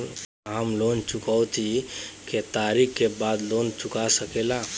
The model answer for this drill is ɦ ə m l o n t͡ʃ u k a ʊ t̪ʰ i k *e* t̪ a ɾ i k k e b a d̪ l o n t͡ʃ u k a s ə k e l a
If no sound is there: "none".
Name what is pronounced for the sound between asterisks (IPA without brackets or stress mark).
e